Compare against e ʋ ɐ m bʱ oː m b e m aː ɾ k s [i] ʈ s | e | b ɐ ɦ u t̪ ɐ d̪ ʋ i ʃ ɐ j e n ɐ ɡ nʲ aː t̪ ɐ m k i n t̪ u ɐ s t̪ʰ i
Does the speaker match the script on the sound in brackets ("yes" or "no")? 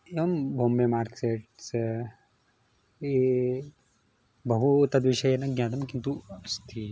no